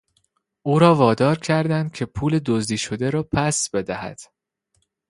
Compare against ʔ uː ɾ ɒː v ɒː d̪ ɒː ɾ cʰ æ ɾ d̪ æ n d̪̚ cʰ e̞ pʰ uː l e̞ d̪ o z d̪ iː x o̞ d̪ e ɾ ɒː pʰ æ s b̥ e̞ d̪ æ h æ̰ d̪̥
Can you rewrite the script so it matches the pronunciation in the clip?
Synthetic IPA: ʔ uː ɾ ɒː v ɒː d̪ ɒː ɾ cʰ æ ɾ d̪ æ n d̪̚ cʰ e̞ pʰ uː l e̞ d̪ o z d̪ iː ʃ o̞ d̪ e ɾ ɒː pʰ æ s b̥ e̞ d̪ æ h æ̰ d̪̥